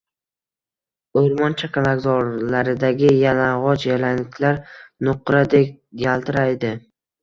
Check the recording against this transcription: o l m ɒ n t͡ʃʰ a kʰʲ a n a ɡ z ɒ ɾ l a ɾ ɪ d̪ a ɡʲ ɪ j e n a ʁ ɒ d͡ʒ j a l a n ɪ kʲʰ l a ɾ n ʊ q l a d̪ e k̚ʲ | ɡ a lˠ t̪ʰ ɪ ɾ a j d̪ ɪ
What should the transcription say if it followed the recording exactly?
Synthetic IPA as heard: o ɾ m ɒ n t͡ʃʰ a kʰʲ a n a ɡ z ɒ ɾ l a ɾ ɪ d̪ a ɡʲ ɪ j a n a ʁ ɒ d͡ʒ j a l a n ɪ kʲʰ l a ɾ n ʊ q ɾ a d̪ e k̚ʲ | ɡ a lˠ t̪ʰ ɪ ɾ a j d̪ ɪ